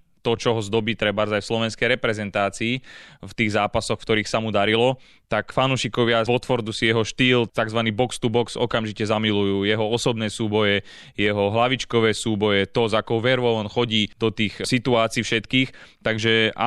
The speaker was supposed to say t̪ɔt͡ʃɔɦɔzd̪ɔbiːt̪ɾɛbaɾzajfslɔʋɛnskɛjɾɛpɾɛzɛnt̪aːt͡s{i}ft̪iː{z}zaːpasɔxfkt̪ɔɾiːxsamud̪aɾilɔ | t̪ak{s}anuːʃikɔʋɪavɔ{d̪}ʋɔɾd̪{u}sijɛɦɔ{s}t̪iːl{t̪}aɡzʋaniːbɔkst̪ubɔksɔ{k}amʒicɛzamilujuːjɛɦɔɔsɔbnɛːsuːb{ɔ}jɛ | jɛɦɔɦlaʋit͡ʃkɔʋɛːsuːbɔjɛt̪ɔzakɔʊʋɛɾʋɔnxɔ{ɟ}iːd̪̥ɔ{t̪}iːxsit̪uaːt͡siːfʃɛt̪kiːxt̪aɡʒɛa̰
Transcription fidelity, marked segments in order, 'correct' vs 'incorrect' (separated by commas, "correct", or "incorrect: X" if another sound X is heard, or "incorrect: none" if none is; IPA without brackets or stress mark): incorrect: iː, incorrect: ɣ, incorrect: f, incorrect: t̪, correct, incorrect: ʃ, correct, correct, correct, correct, correct